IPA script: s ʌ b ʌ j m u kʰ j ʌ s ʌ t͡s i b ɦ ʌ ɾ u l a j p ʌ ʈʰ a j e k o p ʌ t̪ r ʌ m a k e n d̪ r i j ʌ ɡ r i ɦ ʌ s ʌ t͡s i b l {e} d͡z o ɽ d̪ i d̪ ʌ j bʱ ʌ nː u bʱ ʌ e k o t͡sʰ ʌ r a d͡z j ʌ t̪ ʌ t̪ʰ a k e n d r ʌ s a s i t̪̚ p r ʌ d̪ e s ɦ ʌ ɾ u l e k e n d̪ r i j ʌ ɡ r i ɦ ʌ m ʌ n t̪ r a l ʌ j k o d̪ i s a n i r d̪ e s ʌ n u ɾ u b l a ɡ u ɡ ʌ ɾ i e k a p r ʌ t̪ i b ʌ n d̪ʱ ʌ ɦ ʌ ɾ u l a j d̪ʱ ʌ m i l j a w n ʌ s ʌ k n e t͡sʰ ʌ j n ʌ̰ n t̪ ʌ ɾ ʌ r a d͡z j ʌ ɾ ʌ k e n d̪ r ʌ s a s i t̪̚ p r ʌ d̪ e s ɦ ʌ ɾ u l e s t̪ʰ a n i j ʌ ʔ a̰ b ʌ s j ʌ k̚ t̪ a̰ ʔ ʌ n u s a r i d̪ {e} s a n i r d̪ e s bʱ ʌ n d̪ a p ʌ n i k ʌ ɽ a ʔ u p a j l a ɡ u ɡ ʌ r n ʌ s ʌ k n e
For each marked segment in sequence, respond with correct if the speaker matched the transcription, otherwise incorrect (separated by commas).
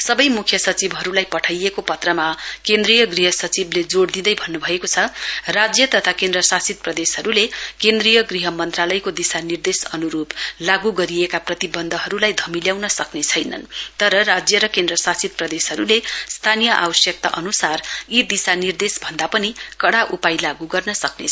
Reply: correct, incorrect